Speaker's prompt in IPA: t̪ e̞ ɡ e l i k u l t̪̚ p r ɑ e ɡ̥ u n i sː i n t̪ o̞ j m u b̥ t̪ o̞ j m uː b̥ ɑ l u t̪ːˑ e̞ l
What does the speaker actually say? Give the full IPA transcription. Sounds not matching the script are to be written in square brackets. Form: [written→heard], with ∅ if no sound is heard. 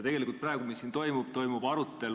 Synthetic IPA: t̪ e̞ ɡ e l i k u l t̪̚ p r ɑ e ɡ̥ u [n→m] i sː i n t̪ o̞ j m u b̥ t̪ o̞ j m [uː→u] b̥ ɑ [l→ɾ] u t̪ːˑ e̞ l